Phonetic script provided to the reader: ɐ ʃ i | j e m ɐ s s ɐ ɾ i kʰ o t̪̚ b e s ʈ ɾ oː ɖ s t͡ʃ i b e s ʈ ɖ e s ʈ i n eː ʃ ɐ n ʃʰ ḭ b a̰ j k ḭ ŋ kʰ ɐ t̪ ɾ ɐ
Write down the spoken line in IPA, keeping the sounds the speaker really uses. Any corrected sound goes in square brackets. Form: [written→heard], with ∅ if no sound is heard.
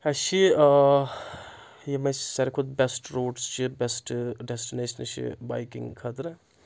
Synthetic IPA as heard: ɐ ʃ i | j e m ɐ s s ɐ ɾ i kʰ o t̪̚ b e s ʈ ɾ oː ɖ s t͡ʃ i b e s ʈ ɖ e s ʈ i n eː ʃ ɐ n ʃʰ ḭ b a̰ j k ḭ ŋ kʰ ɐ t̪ ɾ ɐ